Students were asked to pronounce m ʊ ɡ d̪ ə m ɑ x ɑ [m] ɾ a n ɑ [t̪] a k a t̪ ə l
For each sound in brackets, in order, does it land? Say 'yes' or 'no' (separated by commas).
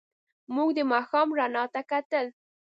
yes, yes